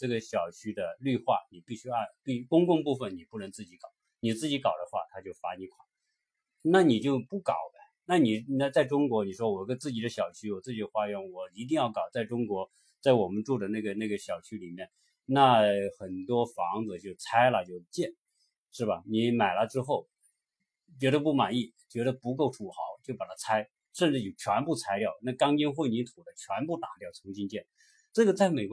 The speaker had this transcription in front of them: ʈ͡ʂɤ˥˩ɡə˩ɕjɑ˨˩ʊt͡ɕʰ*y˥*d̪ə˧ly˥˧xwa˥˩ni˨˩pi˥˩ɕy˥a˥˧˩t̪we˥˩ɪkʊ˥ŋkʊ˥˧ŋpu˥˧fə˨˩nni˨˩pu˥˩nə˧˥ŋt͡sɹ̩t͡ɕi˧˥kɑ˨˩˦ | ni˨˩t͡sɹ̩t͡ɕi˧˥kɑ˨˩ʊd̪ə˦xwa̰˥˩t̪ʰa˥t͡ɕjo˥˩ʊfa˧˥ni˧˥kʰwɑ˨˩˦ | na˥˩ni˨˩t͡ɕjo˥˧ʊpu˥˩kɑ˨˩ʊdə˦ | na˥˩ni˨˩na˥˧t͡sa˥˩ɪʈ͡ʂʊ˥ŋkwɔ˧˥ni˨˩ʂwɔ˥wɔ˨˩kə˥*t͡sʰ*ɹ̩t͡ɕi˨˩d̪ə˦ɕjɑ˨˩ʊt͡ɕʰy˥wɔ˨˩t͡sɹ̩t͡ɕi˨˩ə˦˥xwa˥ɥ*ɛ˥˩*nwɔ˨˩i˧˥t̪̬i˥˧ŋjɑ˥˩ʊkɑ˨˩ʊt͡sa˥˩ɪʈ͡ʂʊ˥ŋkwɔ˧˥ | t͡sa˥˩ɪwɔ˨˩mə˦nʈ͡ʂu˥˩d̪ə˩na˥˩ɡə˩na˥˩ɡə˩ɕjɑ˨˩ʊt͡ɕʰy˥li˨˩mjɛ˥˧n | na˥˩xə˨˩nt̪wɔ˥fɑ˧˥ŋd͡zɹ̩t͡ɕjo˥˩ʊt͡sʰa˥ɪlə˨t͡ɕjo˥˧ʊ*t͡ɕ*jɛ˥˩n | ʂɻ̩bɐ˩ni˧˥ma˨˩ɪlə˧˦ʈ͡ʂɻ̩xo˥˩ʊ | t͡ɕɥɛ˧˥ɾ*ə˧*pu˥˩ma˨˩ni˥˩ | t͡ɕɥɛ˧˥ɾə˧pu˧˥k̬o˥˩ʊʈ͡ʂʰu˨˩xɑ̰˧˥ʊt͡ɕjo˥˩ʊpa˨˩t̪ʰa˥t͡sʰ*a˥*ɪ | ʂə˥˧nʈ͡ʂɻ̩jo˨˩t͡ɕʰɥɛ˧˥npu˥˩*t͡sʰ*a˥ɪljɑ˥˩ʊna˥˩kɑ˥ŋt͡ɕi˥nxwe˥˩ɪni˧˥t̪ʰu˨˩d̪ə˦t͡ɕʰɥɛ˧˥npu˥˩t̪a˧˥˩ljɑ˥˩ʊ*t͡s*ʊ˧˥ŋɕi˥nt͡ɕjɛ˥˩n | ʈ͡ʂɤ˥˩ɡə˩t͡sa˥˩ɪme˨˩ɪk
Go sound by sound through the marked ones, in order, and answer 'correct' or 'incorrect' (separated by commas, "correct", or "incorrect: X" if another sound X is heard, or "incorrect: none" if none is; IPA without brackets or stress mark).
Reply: correct, incorrect: t͡s, incorrect: ɛ˧˥, correct, correct, correct, correct, incorrect: t͡sʰ